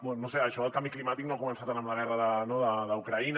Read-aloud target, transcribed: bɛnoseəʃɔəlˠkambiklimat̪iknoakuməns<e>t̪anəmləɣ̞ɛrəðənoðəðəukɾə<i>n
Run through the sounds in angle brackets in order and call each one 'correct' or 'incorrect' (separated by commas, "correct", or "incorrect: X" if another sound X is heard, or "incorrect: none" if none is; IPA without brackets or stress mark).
incorrect: a, correct